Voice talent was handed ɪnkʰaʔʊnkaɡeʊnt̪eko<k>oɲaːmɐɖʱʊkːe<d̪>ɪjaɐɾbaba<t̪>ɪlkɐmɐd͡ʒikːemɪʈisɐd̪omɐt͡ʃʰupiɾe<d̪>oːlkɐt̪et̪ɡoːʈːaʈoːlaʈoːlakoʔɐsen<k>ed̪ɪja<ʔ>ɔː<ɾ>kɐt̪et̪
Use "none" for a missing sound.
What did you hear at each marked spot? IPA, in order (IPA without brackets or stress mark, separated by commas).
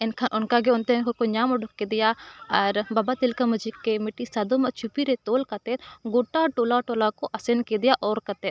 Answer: k, d̪, t̪, t̪, k, ʔ, ɾ